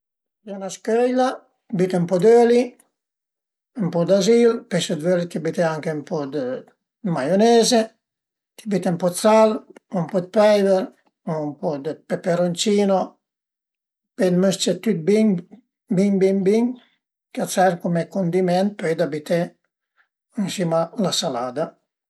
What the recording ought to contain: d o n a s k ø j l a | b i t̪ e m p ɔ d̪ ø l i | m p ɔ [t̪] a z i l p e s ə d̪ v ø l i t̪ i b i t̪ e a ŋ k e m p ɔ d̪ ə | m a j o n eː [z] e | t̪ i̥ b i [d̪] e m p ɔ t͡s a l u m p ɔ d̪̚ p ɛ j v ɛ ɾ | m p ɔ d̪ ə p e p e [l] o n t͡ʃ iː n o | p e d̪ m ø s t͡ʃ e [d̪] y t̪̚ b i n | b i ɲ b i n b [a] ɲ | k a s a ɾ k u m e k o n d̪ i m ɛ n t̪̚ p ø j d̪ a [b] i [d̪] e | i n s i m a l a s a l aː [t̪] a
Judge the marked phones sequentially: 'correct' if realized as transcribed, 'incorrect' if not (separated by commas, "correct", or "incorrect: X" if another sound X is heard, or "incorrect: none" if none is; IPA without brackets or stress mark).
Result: incorrect: d̪, correct, incorrect: t̪, incorrect: ɾ, incorrect: t̪, incorrect: i, correct, incorrect: t̪, incorrect: d̪